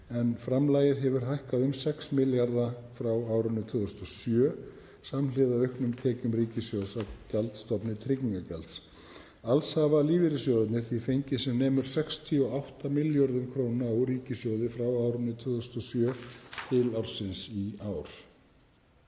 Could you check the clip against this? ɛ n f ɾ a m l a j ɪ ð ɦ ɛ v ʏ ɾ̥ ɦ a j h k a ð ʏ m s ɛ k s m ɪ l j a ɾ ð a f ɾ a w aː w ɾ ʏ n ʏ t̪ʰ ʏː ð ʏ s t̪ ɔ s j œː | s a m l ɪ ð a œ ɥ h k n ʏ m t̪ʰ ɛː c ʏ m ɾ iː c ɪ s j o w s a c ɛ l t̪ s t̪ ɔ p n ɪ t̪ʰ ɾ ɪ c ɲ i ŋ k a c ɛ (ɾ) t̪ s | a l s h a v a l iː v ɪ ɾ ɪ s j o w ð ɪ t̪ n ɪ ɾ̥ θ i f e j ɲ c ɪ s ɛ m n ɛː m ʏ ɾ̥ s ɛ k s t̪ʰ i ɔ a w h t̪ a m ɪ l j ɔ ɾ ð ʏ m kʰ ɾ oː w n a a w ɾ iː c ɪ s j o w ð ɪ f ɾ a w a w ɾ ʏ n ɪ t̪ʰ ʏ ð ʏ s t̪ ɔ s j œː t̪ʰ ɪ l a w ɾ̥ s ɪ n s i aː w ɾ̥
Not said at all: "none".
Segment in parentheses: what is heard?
l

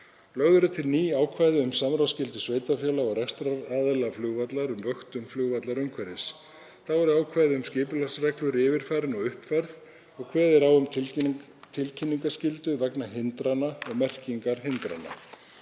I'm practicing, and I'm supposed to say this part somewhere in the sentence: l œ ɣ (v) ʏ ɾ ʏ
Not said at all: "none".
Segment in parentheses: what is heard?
ð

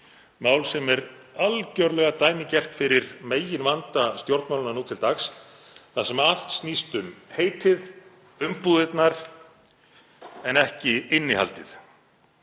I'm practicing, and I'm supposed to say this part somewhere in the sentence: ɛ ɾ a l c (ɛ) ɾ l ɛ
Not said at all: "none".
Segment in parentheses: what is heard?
œ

